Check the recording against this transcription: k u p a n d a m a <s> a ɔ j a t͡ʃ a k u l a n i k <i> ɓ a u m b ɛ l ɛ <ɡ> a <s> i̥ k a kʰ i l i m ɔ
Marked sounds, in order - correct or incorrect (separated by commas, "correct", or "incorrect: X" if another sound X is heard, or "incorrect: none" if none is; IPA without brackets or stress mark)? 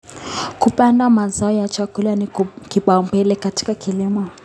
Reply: incorrect: z, correct, incorrect: k, incorrect: t